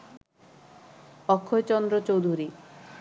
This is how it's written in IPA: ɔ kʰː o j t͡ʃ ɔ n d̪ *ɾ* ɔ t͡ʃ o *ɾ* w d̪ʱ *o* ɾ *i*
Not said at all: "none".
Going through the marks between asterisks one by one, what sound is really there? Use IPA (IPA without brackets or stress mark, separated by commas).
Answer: ɾ, none, u, i